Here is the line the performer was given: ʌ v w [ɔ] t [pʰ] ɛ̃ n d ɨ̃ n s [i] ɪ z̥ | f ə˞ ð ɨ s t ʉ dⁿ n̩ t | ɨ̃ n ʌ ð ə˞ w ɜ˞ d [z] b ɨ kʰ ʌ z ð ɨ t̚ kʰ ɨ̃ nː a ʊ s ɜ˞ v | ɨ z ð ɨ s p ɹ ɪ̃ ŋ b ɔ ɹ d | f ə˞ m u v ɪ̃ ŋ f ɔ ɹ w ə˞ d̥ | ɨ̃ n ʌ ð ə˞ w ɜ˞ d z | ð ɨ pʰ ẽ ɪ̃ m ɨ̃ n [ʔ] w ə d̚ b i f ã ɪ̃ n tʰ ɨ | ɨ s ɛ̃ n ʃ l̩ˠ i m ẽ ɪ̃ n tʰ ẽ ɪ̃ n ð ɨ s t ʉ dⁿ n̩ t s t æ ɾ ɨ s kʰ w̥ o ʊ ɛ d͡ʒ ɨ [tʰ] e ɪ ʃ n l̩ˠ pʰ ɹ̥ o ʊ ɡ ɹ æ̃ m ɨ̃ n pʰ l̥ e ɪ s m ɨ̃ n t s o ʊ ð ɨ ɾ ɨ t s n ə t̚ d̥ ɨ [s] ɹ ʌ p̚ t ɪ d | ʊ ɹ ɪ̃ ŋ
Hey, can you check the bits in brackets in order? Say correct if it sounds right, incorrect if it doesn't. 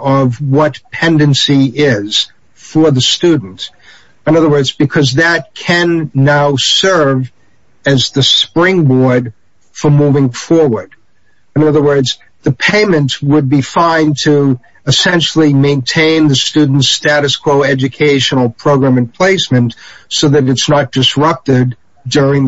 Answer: incorrect: ʌ, correct, correct, correct, incorrect: t, incorrect: kʰ, correct

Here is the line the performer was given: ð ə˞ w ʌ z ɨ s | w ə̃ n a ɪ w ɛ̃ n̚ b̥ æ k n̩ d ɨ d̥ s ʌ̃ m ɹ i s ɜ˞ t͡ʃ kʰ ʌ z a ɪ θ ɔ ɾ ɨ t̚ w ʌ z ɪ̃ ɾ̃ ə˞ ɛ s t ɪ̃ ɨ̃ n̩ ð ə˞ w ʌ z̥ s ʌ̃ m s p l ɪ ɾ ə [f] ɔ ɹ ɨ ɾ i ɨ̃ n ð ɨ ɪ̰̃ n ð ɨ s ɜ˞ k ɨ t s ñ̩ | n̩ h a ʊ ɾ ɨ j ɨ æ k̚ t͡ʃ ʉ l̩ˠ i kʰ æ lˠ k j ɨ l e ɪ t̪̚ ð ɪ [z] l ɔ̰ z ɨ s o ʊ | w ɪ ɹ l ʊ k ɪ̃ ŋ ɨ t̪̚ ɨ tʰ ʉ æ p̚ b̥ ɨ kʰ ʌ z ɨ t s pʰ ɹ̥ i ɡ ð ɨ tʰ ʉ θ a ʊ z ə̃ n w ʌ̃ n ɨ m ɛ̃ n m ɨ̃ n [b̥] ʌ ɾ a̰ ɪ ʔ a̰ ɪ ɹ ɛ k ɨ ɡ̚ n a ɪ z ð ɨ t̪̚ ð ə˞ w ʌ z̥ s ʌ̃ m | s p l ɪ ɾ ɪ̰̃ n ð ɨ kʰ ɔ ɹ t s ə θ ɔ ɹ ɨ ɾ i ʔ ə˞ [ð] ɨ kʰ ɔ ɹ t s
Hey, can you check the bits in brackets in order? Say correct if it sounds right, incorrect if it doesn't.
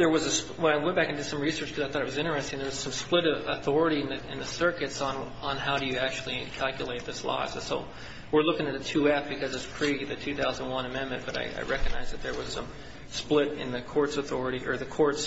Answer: incorrect: θ, incorrect: s, correct, correct

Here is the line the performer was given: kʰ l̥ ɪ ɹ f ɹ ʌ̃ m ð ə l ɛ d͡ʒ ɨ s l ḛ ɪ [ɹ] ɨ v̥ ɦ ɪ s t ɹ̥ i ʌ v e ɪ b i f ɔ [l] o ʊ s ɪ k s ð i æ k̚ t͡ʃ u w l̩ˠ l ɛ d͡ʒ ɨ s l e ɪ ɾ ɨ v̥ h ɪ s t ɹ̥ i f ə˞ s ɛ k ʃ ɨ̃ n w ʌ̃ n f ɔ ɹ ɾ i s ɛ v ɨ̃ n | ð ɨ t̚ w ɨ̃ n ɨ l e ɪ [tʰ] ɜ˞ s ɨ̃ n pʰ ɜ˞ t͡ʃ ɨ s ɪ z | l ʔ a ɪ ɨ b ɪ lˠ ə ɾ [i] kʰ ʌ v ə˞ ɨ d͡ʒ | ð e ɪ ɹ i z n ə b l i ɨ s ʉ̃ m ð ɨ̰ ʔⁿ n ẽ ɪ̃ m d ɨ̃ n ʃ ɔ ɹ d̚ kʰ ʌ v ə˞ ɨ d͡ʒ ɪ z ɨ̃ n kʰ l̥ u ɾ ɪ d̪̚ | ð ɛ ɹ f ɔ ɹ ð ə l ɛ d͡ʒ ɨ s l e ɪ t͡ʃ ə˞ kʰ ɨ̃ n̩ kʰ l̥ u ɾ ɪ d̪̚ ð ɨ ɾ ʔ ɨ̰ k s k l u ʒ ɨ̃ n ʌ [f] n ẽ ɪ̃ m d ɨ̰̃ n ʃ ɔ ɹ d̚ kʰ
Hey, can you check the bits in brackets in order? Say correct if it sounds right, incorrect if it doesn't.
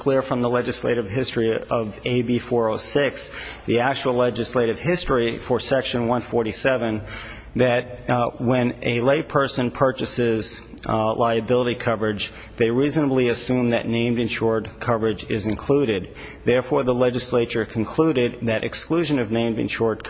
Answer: incorrect: ɾ, incorrect: ɹ, incorrect: pʰ, correct, incorrect: v

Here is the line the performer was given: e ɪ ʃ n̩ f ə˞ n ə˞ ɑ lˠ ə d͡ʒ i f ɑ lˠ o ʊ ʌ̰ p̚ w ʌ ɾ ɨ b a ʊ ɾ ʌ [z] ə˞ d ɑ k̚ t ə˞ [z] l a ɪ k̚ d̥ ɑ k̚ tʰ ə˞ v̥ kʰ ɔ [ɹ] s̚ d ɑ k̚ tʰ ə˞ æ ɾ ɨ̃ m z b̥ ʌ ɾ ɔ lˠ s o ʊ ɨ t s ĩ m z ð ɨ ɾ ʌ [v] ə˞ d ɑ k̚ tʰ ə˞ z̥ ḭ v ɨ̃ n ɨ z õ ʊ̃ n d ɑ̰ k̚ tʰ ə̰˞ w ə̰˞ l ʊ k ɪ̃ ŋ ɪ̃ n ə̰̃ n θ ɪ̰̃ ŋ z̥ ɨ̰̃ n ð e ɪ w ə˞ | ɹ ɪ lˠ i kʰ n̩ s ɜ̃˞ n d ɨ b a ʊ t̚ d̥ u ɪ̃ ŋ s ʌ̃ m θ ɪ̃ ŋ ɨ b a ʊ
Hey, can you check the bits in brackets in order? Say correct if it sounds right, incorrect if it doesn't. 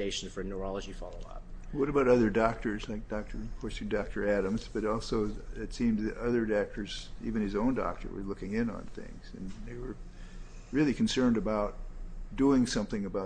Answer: incorrect: ð, correct, correct, incorrect: ð

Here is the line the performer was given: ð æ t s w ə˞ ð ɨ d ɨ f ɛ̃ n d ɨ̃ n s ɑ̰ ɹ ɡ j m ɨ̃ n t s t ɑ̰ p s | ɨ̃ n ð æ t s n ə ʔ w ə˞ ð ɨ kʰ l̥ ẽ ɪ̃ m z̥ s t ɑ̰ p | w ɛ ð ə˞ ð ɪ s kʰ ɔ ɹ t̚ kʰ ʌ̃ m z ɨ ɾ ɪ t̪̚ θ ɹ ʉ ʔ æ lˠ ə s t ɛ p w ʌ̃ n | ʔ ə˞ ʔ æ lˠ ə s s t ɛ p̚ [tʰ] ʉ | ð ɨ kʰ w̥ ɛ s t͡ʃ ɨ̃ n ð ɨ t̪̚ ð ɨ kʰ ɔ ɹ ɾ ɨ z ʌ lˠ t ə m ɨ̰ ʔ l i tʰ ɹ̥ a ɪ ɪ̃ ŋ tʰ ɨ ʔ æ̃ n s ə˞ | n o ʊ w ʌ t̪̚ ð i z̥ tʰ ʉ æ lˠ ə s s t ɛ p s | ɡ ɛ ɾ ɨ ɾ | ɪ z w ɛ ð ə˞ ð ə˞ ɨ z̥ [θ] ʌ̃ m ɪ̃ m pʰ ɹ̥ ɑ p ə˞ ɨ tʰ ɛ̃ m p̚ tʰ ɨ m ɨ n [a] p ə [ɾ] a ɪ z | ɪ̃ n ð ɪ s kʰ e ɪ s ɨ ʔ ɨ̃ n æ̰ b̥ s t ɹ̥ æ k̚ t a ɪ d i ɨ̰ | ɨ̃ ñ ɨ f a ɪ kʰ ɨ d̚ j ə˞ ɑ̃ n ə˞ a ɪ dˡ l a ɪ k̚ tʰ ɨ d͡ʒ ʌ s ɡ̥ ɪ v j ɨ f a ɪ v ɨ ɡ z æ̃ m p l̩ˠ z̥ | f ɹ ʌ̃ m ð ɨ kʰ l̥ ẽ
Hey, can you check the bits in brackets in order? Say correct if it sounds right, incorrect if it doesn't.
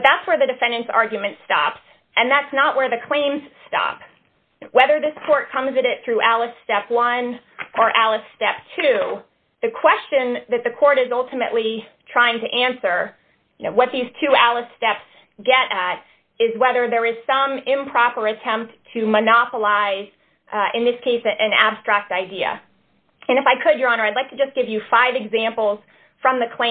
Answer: correct, incorrect: s, incorrect: ɑ, incorrect: l

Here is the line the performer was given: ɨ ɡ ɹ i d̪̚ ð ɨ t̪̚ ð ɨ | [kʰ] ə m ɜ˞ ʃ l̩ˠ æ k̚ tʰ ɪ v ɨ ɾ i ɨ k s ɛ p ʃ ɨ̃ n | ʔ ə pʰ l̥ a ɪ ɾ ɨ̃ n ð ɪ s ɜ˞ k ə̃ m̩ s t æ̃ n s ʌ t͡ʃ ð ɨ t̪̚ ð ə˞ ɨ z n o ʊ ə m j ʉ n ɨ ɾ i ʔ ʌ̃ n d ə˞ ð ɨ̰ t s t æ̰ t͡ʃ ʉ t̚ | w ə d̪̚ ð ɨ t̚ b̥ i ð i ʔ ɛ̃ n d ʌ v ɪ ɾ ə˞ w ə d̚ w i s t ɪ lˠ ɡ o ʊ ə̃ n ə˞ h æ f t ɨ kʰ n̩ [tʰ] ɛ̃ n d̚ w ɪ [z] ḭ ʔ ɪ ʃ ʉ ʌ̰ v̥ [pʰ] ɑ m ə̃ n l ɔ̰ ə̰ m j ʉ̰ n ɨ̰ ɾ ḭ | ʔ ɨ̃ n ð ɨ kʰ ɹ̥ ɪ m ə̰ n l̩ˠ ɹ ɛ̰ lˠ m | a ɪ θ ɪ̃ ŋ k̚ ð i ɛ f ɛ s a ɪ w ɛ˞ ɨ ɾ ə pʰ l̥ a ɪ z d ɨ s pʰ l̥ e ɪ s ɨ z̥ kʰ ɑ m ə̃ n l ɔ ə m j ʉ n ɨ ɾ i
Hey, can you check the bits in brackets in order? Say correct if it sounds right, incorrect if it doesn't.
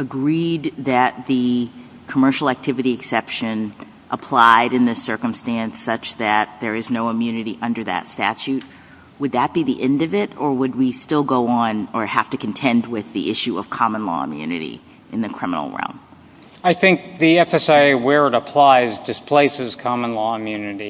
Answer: correct, correct, incorrect: ð, incorrect: kʰ

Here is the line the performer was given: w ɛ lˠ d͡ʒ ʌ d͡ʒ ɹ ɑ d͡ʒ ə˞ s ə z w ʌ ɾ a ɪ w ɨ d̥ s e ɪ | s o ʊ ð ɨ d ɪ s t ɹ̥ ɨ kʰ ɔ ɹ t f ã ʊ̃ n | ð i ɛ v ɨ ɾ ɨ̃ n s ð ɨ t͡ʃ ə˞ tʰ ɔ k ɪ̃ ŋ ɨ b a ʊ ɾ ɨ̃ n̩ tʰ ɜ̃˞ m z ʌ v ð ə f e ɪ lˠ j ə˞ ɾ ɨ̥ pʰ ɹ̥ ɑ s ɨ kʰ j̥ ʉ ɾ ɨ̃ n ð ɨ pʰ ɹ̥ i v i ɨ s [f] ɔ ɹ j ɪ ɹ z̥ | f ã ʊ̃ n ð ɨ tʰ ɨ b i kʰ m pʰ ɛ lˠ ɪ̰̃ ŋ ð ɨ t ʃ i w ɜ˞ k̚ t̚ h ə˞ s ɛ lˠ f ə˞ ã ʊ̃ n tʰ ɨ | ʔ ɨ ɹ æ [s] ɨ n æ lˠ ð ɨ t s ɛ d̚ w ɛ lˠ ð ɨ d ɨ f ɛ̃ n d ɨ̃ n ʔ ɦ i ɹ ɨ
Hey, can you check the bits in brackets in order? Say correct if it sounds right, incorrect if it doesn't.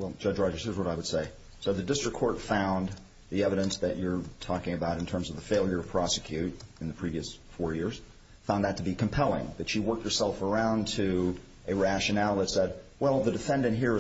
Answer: correct, incorrect: ʃ

